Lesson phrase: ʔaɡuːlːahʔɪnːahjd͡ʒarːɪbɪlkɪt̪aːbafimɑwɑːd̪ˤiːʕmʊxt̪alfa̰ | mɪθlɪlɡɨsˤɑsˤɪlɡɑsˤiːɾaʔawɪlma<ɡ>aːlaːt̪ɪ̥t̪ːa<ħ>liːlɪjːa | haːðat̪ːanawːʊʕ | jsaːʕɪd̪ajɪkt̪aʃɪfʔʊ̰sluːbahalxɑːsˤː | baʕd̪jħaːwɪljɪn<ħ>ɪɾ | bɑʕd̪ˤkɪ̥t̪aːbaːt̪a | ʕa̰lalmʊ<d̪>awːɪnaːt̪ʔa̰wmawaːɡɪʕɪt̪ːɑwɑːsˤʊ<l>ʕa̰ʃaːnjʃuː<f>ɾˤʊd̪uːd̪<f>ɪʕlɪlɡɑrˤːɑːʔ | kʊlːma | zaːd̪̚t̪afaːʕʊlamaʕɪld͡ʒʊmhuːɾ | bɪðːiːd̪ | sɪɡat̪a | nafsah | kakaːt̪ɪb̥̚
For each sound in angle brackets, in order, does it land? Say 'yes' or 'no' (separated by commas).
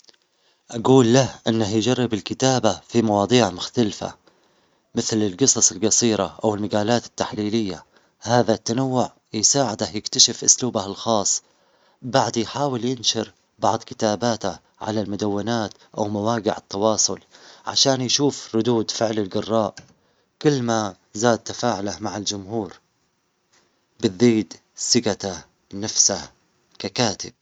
yes, yes, no, yes, yes, yes, yes